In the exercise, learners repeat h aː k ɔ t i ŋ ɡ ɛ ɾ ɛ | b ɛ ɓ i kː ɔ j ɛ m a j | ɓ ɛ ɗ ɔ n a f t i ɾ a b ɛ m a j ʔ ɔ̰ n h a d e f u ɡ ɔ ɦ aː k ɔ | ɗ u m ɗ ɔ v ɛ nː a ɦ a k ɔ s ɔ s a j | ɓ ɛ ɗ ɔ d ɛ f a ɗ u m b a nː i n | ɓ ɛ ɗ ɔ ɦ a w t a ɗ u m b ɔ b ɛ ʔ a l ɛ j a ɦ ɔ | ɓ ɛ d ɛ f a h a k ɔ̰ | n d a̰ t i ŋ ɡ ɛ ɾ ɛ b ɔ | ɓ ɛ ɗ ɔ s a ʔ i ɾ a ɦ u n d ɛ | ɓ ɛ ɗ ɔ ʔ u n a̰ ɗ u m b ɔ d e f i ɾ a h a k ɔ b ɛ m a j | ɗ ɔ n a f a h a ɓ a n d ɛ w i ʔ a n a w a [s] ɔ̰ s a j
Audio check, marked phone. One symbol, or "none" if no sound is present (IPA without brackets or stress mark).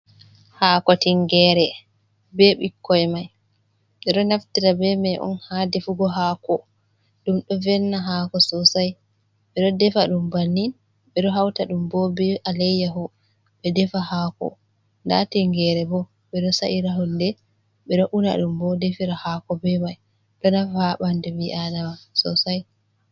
s